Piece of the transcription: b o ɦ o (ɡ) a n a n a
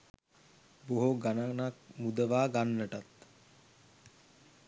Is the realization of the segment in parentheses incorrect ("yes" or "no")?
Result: no